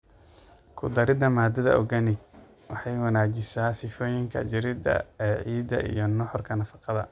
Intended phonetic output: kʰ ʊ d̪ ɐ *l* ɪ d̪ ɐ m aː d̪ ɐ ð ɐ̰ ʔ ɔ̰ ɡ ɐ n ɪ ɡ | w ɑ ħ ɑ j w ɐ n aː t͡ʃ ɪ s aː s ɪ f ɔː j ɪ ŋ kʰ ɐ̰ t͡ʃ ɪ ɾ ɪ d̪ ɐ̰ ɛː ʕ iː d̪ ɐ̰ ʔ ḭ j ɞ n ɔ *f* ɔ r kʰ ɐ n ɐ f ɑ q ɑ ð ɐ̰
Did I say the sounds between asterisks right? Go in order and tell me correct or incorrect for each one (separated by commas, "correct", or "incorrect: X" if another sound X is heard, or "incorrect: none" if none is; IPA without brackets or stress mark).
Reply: incorrect: ɾ, incorrect: ħ